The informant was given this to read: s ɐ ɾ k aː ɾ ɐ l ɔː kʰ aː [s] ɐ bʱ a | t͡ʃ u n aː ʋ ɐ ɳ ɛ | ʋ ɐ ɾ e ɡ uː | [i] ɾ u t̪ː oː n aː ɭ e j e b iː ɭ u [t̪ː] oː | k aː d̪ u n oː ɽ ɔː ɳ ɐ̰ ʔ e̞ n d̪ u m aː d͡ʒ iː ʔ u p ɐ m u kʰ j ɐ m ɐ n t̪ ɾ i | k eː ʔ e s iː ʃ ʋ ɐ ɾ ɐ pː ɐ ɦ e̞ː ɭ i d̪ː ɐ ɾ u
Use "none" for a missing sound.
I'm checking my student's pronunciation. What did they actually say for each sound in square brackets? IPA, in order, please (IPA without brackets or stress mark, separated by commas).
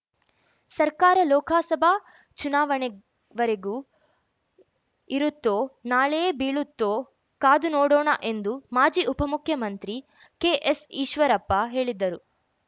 s, i, t̪ː